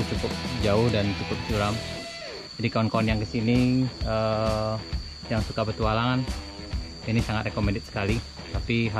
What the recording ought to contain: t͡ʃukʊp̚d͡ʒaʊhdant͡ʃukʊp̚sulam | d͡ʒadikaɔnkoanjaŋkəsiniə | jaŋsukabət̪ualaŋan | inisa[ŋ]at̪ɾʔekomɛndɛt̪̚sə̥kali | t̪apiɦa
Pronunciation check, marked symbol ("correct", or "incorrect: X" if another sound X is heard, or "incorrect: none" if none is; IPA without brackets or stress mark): correct